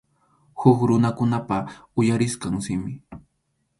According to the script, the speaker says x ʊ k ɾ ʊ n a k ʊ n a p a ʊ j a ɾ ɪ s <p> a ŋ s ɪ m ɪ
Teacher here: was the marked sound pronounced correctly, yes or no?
no